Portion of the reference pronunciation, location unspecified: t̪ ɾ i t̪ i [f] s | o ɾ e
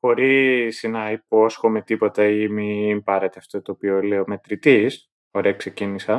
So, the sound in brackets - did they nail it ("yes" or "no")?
no